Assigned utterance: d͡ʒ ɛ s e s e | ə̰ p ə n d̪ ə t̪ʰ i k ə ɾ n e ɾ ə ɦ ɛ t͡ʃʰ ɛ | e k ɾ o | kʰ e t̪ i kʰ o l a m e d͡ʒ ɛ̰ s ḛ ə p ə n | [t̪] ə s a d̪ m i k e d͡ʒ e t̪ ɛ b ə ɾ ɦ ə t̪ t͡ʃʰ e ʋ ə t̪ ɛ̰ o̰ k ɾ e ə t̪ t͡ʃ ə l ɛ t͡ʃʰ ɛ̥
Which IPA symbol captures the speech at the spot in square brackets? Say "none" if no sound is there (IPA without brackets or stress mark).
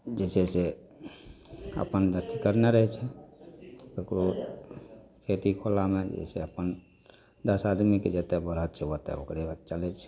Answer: d̪